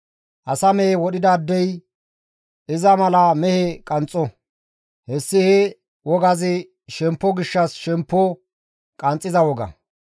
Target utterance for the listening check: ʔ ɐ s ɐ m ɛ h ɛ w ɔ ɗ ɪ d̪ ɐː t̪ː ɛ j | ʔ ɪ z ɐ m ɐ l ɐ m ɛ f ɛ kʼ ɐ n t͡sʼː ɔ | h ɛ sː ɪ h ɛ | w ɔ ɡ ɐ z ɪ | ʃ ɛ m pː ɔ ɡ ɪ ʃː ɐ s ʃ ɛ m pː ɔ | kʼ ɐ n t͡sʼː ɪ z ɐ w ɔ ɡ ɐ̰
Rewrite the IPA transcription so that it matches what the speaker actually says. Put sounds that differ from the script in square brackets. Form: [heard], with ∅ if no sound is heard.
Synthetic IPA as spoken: ʔ ɐ s ɐ m ɛ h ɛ w ɔ ɗ ɪ d̪ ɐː [d̪ː] ɛ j | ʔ ɪ z ɐ m ɐ l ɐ m ɛ [h] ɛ kʼ ɐ n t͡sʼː ɔ | h ɛ sː ɪ h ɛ | w ɔ ɡ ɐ z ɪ | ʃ ɛ m pː ɔ ɡ ɪ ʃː ɐ s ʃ ɛ m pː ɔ | kʼ ɐ n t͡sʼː ɪ z ɐ w ɔ ɡ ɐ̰